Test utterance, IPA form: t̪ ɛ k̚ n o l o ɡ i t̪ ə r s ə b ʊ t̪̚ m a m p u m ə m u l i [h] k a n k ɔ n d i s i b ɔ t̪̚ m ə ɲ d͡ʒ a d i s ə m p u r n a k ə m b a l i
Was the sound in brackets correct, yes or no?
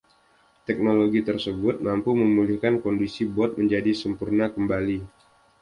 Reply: yes